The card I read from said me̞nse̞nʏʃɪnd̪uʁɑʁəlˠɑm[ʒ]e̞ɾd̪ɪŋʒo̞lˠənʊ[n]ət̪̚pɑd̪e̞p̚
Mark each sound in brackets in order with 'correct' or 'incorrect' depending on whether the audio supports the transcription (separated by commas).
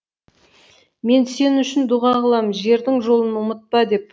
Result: correct, incorrect